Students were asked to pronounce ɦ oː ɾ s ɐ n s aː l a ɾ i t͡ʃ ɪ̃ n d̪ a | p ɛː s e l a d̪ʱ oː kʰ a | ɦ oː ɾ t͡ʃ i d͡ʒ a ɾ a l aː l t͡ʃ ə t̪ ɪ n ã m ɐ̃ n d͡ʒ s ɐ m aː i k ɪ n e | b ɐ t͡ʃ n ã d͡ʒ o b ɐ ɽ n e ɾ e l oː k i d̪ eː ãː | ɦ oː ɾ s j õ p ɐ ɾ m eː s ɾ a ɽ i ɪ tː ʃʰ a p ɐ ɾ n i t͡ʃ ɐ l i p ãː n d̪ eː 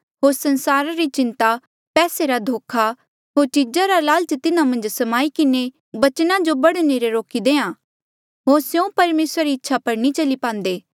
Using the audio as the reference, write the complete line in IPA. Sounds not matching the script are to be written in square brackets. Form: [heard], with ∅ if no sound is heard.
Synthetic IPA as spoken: ɦ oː ɾ s ɐ n s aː [ɾ] a ɾ i t͡ʃ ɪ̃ n [t̪] a | p ɛː s e [ɾ] a d̪ʱ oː kʰ a | ɦ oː ɾ t͡ʃ i d͡ʒ a ɾ a l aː l t͡ʃ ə t̪ ɪ n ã m ɐ̃ n d͡ʒ s ɐ m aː i k ɪ n e | b ɐ t͡ʃ n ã d͡ʒ o b ɐ ɽ n e ɾ e [ɾ] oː k i d̪ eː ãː | ɦ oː ɾ s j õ p ɐ ɾ m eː s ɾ a [ɾ] i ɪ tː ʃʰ a p ɐ ɾ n i t͡ʃ ɐ l i p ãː n d̪ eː